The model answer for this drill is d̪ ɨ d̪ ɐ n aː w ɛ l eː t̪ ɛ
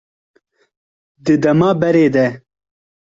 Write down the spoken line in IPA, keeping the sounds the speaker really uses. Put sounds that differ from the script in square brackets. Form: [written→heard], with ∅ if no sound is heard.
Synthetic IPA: d̪ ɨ d̪ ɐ [n→m] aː [w→b] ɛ [l→ɾ] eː [t̪→d̪] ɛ